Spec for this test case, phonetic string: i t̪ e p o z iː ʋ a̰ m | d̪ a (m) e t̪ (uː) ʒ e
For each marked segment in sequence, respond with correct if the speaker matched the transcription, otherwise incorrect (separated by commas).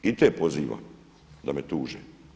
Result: correct, correct